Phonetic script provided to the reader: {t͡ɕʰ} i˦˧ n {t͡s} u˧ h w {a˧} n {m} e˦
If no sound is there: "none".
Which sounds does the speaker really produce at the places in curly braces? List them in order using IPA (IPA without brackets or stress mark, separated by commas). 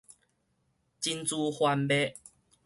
t͡ɕ, t͡s, a˧, b